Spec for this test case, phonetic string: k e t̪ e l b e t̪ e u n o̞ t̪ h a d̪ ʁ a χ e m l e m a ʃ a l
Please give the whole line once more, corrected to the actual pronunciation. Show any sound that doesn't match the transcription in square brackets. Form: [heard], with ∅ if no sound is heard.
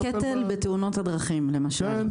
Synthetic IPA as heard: k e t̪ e l b e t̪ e u n o̞ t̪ h a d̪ ʁ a χ [i] m l e m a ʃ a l